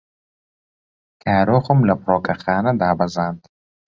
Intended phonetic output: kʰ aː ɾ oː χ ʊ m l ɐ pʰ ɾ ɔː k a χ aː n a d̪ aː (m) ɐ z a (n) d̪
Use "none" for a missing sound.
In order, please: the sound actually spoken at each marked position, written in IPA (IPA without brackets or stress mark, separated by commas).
b, n